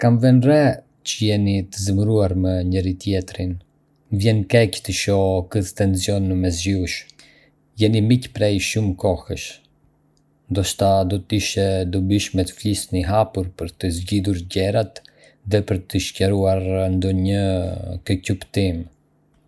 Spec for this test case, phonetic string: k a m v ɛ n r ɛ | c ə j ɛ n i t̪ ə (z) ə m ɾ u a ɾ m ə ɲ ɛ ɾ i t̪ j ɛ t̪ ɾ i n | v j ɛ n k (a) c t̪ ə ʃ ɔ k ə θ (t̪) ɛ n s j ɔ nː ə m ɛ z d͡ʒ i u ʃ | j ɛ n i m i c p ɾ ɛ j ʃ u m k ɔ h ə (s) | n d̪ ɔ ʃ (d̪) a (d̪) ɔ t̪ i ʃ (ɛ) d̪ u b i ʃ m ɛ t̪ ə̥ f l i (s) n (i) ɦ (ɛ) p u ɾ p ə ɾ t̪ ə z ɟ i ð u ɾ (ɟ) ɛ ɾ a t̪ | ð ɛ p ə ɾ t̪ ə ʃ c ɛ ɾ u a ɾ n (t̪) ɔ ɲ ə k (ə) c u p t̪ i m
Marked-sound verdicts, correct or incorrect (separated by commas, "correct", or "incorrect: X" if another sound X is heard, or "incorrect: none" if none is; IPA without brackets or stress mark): correct, incorrect: ɛ, correct, incorrect: ʃ, incorrect: t̪, correct, correct, correct, correct, incorrect: a, correct, incorrect: d̪, correct